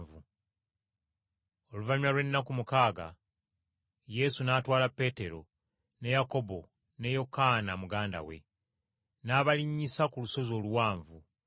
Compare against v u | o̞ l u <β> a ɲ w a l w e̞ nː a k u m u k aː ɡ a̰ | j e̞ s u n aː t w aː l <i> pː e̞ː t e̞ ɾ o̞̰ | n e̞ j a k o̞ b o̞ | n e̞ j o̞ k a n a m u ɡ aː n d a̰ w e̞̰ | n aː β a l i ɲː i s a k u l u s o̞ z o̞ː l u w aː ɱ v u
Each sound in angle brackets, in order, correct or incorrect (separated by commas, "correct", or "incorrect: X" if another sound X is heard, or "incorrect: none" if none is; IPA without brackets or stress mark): incorrect: v, incorrect: a